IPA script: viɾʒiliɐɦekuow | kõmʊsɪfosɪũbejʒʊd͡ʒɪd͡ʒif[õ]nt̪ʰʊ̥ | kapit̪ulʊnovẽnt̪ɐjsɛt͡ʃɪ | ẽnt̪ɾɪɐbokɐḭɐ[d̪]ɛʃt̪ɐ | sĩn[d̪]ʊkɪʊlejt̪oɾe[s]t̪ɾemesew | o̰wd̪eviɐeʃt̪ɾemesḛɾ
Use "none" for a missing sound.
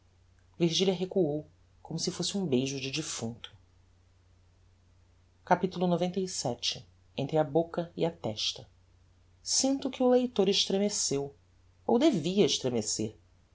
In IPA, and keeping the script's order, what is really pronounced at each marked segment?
ũ, t̪, t̪, ʃ

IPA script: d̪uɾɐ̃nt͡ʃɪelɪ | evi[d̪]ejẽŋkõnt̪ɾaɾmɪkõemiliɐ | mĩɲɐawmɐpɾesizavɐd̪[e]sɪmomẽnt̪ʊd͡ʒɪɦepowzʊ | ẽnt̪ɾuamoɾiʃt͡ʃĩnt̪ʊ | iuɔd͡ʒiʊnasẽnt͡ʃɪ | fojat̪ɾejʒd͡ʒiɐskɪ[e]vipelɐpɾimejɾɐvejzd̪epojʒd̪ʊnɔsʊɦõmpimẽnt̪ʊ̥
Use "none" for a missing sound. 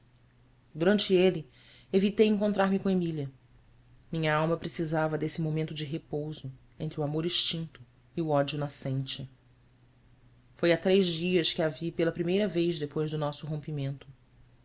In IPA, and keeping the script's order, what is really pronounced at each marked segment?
t̪, e, a

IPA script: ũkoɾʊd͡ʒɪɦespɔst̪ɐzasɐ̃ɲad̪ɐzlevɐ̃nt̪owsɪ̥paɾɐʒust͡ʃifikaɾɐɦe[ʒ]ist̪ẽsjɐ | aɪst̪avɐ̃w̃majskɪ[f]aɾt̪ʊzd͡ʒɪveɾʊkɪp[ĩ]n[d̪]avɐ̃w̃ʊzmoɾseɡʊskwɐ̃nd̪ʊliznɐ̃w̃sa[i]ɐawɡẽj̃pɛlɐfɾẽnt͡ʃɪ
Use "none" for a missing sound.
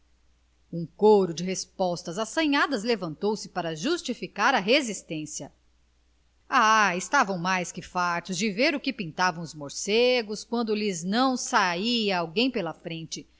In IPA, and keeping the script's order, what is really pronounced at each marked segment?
z, f, ĩ, t̪, i

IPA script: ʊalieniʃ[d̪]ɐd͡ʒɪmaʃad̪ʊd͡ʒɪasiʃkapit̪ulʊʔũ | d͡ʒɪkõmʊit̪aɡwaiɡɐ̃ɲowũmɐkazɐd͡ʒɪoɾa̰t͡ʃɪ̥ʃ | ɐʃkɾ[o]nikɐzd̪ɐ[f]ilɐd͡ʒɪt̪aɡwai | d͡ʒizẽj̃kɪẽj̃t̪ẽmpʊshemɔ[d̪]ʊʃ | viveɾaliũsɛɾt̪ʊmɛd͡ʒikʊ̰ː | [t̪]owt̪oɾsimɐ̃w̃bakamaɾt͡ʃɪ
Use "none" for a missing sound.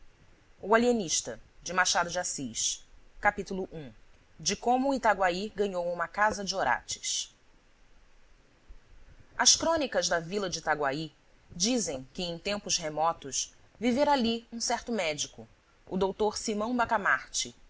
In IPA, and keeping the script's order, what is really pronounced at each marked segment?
t̪, õ, v, t̪, d̪

